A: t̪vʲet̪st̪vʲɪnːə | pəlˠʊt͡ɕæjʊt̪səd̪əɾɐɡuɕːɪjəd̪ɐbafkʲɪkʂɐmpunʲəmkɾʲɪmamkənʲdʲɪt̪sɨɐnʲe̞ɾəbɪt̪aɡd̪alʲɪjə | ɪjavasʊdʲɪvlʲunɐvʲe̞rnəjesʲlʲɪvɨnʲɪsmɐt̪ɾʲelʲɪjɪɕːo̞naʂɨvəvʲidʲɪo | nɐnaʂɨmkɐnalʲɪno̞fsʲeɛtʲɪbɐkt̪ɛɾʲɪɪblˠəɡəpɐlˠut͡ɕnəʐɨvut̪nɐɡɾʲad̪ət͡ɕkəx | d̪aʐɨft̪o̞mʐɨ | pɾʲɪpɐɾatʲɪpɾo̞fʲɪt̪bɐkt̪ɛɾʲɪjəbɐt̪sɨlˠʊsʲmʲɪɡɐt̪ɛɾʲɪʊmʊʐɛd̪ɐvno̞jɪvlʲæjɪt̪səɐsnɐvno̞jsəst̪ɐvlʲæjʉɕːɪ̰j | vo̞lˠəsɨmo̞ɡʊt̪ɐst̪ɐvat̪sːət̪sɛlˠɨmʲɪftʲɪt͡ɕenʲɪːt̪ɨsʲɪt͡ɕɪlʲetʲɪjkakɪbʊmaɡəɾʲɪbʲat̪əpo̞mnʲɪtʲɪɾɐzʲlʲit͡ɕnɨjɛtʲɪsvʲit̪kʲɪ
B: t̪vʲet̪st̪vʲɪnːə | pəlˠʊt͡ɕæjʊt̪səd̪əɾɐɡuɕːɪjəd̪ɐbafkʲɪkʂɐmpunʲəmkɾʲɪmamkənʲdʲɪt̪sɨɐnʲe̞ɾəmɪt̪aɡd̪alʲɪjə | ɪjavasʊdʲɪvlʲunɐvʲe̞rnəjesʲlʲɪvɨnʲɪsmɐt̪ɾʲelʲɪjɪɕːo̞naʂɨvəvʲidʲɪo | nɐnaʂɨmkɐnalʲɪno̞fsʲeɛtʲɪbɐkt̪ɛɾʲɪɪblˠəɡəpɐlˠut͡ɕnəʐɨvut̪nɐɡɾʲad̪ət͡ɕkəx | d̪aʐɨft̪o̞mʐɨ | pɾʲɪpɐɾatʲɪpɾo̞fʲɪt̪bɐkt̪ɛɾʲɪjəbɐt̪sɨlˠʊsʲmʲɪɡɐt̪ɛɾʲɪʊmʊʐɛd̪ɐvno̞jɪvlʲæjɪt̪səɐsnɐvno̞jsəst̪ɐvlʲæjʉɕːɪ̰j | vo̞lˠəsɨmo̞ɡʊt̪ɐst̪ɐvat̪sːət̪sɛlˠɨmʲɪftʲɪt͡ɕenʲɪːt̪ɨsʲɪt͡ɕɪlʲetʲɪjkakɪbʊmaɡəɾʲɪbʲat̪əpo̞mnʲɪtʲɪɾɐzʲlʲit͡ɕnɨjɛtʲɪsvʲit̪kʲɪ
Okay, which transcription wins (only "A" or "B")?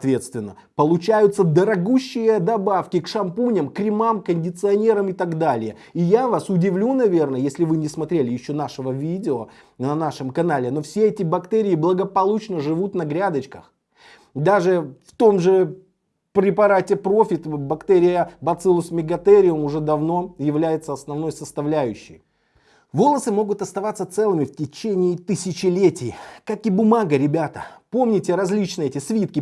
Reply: B